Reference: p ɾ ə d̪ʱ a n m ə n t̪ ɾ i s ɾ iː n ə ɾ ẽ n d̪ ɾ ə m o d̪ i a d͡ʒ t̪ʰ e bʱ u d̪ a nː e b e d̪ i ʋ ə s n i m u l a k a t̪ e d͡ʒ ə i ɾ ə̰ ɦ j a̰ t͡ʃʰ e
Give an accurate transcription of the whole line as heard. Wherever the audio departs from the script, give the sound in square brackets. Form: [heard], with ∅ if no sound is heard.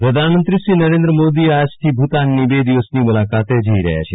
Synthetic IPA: p ɾ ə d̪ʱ a n m ə n t̪ ɾ i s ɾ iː n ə ɾ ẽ n d̪ ɾ ə m o d̪ i a d͡ʒ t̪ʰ [i] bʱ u [t̪] a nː [i] b e d̪ i ʋ ə s n i m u l a k a t̪ e d͡ʒ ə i ɾ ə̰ ɦ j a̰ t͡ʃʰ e